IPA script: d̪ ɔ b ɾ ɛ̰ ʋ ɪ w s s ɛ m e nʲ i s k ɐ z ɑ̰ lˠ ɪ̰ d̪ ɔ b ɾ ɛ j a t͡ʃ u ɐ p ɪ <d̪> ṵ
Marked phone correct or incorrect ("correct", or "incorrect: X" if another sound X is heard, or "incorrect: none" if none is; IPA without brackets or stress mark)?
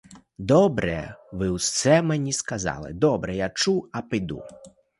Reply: correct